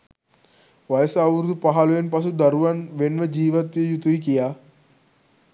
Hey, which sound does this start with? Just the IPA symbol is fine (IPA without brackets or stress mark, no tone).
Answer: ʋ